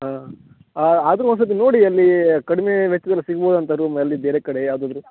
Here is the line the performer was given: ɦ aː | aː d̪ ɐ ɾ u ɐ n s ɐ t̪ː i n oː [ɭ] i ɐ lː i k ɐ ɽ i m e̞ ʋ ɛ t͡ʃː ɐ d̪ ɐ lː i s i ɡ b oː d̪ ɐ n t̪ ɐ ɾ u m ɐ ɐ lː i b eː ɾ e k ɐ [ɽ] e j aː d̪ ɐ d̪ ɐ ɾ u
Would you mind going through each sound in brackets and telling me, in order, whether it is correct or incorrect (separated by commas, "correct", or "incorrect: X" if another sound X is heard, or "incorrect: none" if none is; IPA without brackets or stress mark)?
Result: incorrect: ɽ, correct